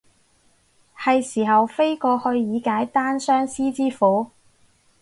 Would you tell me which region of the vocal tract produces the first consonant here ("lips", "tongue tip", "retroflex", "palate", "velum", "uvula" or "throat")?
throat